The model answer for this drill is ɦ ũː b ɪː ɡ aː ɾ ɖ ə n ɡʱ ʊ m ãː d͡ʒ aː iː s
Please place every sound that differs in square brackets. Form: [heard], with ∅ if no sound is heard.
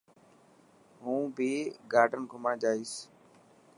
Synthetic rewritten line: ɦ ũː b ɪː ɡ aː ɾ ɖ ə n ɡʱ ʊ m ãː d͡ʒ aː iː s